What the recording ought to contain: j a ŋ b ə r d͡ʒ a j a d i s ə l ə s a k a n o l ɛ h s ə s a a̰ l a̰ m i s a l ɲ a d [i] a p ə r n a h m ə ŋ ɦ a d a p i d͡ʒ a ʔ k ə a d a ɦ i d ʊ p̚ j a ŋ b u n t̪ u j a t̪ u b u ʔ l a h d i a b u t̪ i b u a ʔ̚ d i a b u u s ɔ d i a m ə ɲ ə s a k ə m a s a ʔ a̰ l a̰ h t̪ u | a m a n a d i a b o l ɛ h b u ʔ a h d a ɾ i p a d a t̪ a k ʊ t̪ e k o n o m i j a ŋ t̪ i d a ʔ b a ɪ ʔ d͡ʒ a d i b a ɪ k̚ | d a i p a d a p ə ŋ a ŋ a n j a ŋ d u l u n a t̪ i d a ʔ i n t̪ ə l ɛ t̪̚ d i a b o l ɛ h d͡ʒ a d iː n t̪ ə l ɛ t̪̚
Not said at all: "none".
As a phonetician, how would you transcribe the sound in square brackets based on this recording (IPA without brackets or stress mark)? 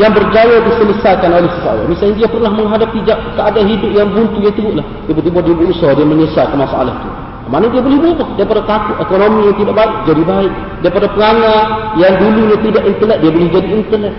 i